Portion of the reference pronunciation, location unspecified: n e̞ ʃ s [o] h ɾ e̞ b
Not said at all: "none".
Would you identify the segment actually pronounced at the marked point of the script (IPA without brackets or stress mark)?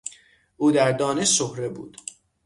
o